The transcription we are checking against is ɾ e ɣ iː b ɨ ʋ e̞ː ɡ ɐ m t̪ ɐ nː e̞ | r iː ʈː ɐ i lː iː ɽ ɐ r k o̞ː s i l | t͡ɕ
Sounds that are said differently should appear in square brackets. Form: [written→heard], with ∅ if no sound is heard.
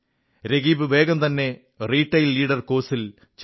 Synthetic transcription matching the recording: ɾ e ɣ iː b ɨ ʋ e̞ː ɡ ɐ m t̪ ɐ nː e̞ | r iː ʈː ɐ [i→j] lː iː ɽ ɐ r k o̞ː s i l | t͡ɕ